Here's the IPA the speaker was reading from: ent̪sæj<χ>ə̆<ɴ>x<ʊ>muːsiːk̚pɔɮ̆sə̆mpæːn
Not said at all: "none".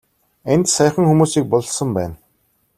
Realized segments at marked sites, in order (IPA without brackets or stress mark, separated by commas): χ, ŋ, u